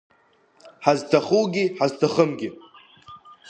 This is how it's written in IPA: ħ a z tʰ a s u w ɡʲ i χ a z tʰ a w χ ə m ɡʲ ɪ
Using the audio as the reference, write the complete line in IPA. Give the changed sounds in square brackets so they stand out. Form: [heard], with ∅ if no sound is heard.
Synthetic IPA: ħ a z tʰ a [χ] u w ɡʲ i [ħ] a z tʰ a [∅] χ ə m ɡʲ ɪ